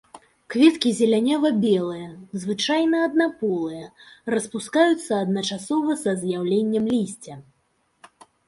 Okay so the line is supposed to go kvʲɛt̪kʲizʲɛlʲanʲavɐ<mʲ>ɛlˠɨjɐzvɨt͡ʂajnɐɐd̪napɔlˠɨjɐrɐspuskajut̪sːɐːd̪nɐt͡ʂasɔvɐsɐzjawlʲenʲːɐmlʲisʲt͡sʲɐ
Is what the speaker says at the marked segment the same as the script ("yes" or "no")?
no